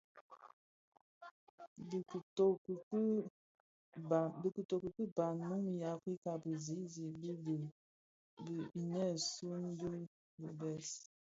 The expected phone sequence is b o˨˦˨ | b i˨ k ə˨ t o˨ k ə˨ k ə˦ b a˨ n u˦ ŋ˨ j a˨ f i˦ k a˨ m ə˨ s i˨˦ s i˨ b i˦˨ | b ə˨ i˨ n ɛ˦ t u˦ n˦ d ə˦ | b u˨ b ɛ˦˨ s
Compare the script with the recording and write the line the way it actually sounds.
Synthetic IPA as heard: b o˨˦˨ | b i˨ k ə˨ t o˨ k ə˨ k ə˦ b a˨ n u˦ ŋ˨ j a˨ f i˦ k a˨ b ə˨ z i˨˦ z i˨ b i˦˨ | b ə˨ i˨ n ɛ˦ s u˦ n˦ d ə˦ | b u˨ b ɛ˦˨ s